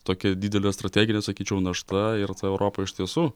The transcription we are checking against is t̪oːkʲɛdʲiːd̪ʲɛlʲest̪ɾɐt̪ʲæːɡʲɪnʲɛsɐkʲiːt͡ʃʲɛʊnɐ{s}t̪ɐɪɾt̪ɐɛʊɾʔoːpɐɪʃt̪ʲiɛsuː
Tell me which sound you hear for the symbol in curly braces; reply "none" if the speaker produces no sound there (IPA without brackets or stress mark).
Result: ʃ